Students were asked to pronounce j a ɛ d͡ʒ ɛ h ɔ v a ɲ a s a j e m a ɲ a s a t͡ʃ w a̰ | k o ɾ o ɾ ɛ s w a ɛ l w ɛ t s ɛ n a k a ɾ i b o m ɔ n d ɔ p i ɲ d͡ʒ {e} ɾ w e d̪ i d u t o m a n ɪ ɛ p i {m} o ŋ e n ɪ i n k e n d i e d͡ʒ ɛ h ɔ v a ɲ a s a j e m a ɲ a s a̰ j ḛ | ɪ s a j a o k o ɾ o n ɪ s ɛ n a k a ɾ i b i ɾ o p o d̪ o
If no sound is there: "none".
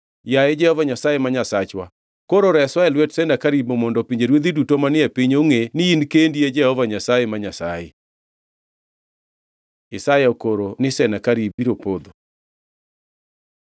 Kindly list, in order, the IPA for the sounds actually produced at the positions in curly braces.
e, ɲ

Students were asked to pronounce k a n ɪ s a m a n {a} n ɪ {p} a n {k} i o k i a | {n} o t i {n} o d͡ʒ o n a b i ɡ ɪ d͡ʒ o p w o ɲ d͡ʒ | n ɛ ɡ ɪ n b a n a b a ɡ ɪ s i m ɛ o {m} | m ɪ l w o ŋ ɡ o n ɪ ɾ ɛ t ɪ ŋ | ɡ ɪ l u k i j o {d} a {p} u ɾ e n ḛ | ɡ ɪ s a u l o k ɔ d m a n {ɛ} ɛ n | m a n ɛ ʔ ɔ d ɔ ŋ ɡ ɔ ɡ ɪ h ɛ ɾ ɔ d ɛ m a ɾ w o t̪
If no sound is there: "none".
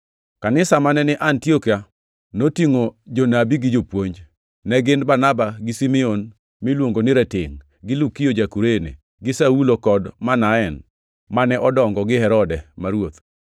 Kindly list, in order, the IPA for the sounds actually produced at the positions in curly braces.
ɛ, ʔ, t, n, ŋ, n, d͡ʒ, k, a

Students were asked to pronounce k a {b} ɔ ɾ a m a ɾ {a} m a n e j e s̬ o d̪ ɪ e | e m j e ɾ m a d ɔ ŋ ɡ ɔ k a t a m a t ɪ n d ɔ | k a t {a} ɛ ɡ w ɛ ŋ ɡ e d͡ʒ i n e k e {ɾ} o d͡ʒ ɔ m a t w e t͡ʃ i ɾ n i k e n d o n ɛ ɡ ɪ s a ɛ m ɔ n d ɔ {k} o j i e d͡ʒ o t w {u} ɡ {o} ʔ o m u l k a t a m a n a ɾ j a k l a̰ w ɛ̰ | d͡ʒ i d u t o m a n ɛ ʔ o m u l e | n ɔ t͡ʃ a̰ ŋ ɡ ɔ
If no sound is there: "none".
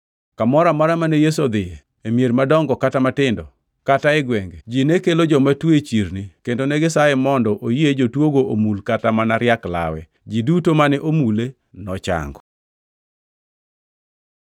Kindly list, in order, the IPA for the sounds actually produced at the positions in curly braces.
m, a, a, l, ʔ, o, o

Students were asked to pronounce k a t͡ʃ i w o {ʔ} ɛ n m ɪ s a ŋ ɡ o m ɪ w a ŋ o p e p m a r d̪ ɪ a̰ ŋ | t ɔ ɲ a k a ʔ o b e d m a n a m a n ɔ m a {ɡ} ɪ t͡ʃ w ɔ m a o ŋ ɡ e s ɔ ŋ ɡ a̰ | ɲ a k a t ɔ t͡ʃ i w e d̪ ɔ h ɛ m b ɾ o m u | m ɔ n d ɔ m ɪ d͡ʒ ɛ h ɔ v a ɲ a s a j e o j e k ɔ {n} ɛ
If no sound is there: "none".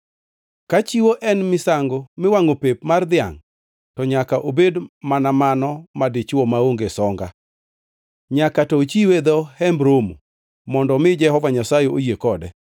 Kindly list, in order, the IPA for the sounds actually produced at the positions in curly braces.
ʔ, d, d

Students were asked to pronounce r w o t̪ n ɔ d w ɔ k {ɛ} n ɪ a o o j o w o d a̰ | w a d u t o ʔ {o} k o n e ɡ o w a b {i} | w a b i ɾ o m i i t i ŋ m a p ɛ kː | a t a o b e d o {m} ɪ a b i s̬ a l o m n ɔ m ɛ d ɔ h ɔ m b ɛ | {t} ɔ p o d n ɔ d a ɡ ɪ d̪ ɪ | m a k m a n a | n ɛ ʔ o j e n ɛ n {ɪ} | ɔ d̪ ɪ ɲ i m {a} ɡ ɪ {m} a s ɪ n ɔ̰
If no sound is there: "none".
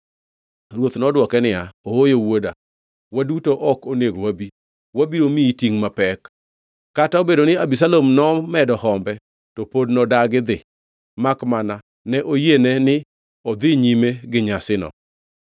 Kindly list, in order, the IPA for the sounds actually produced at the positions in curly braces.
ɛ, ɔ, i, n, t, ɪ, e, ɲ

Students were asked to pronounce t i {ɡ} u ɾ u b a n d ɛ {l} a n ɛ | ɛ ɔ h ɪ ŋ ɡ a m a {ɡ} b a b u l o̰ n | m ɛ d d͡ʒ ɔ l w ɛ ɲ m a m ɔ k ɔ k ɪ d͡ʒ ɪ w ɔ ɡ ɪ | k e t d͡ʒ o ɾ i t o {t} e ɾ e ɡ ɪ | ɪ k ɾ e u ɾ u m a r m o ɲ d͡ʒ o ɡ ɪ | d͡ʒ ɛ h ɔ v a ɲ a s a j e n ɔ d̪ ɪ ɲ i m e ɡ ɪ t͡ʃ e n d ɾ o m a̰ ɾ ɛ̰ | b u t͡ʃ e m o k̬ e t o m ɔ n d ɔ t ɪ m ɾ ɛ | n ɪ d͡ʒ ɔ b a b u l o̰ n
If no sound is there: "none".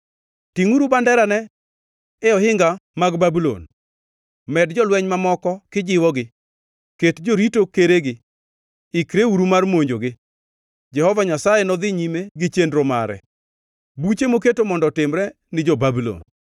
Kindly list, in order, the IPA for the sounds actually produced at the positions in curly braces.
ŋ, ɾ, ɡ, k

